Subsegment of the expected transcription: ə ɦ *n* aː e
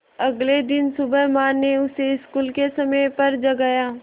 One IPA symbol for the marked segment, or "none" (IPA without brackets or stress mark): m